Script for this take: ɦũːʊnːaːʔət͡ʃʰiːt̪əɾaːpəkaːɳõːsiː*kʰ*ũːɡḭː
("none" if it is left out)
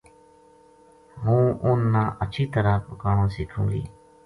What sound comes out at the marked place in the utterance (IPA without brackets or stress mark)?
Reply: kʰ